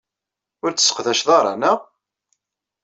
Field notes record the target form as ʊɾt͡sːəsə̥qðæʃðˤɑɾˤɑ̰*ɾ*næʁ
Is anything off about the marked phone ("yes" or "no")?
yes